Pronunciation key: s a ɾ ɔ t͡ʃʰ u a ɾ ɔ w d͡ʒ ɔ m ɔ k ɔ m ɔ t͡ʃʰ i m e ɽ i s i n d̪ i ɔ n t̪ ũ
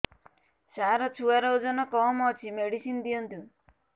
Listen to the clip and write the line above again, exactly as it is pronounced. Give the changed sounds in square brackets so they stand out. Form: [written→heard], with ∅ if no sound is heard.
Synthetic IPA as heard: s a ɾ ɔ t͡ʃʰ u a ɾ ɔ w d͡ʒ ɔ [m→n] ɔ k ɔ m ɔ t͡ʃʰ i m e ɽ i s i n d̪ i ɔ n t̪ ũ